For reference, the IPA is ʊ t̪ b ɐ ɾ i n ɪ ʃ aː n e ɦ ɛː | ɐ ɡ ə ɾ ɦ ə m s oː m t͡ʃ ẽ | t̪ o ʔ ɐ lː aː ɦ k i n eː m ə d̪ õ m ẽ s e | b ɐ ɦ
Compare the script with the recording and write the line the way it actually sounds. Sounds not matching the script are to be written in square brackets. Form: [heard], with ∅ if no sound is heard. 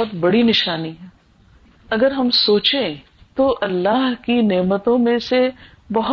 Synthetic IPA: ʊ t̪ b ɐ [ɽ] i n ɪ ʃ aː n [i] ɦ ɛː | ɐ ɡ ə ɾ ɦ [ɐ] m s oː [∅] t͡ʃ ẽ | t̪ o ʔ ɐ lː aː ɦ k i n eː m ə [t̪] õ m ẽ s e | b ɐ ɦ